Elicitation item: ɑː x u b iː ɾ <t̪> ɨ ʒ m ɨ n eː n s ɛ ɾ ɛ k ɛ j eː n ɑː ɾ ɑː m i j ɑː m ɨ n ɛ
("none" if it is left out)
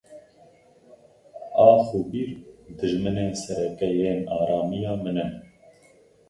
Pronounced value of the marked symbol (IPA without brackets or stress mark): d̪